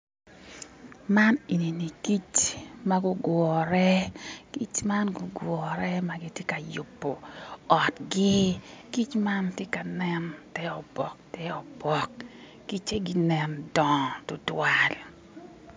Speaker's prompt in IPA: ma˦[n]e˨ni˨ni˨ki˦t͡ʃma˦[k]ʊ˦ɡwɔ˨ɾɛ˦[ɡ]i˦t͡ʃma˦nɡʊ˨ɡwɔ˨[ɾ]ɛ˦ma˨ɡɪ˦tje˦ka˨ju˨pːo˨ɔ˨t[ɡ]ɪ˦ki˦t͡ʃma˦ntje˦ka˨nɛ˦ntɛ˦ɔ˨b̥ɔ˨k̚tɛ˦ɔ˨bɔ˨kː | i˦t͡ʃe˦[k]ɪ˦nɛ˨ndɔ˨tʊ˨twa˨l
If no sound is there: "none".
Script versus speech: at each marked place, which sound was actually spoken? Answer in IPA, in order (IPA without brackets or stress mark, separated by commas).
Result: n, ɡ, k, ɾ, ɡ, ɡ